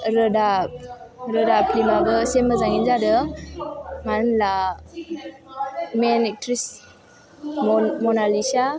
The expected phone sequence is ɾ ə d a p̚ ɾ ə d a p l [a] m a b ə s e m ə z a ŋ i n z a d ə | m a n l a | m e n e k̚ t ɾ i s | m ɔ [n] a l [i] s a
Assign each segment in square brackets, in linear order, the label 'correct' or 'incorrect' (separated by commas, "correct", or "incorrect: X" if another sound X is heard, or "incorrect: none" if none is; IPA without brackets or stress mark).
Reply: incorrect: i, correct, correct